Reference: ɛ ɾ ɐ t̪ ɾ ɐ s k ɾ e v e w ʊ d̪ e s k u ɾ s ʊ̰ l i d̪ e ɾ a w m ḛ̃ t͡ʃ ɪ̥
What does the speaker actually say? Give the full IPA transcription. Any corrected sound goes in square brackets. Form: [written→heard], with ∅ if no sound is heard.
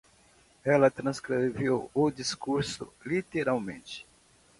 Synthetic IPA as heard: ɛ [ɾ→l] ɐ t̪ ɾ [ɐ→ɐ̃] s k ɾ e v e w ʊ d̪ [e→i] s k u ɾ s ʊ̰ l i [d̪→t̪] e ɾ a w m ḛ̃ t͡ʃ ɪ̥